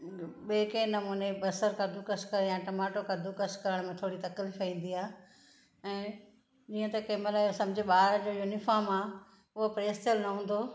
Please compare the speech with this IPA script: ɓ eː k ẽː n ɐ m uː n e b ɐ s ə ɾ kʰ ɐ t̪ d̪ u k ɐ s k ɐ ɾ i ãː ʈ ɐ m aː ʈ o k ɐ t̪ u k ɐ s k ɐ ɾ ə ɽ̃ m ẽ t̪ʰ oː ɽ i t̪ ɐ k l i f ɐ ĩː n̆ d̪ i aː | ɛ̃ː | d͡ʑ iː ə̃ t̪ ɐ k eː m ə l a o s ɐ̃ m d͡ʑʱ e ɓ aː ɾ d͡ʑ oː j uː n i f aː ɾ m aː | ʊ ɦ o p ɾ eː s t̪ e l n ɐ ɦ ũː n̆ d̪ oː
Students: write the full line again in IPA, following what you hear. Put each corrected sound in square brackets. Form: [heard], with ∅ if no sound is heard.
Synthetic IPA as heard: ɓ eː k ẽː n ɐ m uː n e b ɐ s ə ɾ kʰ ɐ [∅] d̪ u k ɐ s k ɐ ɾ [j] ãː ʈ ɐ m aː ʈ o k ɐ [d̪] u k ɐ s k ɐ ɾ ə ɽ̃ m ẽ t̪ʰ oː ɽ i t̪ ɐ k l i f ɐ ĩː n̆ d̪ i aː | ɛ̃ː | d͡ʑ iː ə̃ t̪ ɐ k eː m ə l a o s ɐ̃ m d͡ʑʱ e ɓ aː ɾ d͡ʑ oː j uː n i f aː ɾ m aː | ʊ ɦ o p ɾ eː s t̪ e l n ɐ ɦ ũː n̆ d̪ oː